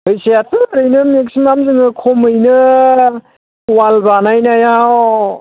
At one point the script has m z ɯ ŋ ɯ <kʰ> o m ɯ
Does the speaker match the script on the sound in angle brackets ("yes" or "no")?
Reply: yes